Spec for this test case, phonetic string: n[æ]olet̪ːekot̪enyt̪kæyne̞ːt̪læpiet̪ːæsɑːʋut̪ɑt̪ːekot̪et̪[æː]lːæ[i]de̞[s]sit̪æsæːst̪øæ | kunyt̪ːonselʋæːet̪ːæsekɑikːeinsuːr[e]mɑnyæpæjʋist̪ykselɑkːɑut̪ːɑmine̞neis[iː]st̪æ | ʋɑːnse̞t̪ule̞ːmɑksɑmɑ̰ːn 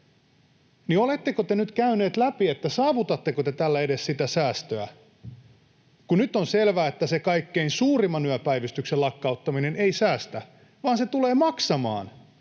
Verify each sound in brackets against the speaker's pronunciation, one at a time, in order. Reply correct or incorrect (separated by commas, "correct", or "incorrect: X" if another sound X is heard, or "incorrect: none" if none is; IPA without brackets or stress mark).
incorrect: i, incorrect: æ, incorrect: e, correct, incorrect: i, incorrect: æː